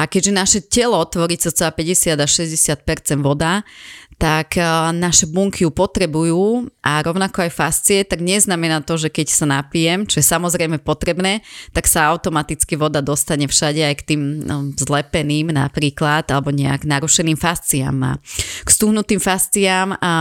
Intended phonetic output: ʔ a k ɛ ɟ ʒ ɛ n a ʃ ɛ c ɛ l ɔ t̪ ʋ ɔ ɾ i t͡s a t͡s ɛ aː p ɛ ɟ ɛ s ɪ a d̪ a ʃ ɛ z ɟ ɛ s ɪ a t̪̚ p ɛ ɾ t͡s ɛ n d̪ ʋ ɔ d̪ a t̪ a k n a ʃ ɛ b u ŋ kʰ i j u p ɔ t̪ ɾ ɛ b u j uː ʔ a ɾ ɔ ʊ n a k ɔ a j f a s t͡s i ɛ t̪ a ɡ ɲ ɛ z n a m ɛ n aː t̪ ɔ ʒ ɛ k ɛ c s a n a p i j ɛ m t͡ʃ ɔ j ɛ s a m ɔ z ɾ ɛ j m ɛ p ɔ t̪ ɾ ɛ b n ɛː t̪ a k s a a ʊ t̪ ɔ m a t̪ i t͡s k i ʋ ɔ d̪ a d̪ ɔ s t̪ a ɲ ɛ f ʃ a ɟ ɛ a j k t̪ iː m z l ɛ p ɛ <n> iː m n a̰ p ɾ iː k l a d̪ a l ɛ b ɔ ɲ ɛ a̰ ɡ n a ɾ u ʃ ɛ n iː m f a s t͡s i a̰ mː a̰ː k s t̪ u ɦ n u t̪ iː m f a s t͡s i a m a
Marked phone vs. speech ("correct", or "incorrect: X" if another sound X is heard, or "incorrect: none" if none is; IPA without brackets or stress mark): correct